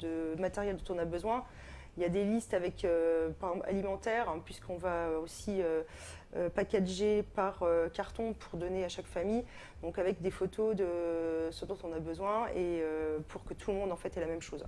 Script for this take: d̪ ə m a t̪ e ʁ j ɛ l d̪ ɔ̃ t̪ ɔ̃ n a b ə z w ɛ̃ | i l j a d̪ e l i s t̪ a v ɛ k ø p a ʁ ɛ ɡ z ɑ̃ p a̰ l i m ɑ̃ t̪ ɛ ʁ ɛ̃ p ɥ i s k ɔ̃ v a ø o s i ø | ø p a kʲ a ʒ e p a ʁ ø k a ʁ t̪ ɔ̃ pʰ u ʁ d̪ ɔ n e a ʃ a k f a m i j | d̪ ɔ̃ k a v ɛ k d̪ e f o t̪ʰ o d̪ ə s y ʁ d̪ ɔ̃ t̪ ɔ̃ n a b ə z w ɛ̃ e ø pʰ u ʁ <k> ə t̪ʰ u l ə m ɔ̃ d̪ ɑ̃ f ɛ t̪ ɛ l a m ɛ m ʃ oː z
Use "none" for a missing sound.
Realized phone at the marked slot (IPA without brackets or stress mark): k